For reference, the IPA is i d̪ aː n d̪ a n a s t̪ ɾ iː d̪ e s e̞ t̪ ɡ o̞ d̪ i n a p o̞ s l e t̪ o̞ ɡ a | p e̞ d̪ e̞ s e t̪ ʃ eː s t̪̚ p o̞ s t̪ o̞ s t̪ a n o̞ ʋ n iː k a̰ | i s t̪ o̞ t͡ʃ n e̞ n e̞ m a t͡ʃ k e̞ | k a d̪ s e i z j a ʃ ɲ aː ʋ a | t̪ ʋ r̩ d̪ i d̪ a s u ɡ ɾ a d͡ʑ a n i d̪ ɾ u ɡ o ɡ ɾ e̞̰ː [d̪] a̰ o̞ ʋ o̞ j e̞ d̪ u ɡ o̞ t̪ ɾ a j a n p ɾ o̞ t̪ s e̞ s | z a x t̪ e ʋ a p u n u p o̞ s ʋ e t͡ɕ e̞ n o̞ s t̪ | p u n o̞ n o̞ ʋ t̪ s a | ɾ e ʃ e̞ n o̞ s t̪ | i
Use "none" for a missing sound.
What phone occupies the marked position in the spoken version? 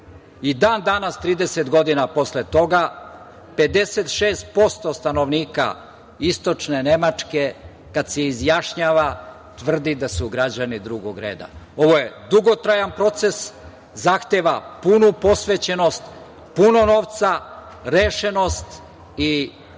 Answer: d̪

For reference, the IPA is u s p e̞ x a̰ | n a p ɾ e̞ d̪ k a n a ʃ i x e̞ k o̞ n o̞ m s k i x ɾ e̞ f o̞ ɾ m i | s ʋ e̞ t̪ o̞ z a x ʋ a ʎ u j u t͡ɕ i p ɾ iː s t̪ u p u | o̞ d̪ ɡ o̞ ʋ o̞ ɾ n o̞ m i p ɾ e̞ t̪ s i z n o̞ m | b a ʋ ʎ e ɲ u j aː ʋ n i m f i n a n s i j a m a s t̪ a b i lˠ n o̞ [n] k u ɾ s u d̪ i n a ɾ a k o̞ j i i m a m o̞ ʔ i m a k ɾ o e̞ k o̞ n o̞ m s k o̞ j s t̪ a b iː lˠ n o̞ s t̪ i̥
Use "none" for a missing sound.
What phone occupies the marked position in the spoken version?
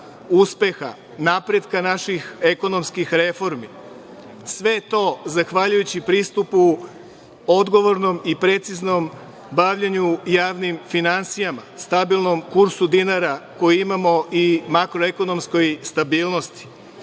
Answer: m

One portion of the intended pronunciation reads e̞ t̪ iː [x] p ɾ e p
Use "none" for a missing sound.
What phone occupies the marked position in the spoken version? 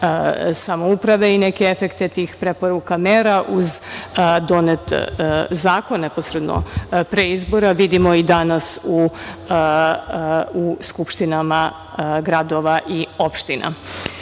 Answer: x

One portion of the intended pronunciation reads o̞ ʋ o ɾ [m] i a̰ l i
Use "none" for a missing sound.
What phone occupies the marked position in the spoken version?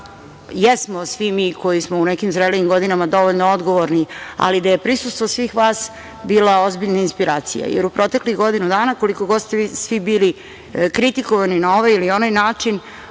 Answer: n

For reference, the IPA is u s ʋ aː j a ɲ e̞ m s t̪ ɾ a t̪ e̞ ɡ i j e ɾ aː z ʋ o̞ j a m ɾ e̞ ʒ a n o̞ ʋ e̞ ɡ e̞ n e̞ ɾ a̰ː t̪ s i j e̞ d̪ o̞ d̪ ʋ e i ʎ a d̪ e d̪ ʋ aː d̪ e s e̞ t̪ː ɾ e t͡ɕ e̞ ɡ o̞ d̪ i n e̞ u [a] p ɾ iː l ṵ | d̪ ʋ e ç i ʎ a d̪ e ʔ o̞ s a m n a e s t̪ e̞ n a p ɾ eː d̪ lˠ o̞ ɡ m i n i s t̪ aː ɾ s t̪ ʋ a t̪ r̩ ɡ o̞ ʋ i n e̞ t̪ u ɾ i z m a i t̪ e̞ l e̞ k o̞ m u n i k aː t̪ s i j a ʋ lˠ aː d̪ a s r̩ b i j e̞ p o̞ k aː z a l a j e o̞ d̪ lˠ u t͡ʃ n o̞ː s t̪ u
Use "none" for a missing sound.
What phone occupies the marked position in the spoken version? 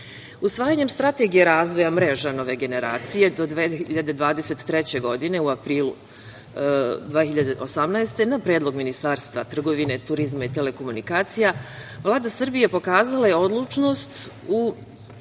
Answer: a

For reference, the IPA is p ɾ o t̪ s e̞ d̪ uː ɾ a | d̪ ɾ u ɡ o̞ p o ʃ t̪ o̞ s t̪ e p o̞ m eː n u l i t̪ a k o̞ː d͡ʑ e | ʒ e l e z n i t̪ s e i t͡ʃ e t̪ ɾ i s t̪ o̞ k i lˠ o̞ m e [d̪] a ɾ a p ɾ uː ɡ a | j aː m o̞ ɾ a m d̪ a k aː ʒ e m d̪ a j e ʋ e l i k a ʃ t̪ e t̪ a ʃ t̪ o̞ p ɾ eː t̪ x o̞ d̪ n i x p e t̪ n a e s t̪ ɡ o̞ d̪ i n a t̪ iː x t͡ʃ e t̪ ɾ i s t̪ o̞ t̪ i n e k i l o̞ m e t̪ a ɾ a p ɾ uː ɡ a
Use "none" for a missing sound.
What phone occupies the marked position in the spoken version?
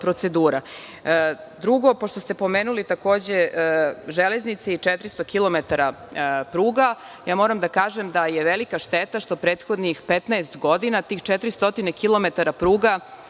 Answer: t̪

